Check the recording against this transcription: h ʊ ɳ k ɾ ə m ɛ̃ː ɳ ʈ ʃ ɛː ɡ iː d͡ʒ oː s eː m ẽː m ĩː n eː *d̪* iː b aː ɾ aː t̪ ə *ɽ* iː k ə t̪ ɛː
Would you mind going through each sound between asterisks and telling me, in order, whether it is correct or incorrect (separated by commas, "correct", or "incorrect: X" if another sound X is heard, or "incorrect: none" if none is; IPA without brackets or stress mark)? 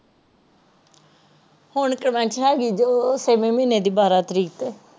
correct, incorrect: ɾ